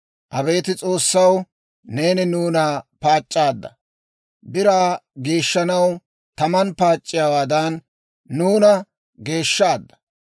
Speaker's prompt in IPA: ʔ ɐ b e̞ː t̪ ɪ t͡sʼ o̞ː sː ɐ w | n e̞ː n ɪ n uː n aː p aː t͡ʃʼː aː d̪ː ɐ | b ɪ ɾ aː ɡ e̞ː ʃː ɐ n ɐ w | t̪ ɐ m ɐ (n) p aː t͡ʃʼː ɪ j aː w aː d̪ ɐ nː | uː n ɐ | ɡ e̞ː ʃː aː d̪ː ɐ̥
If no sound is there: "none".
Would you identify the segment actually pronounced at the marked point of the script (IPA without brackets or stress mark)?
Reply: n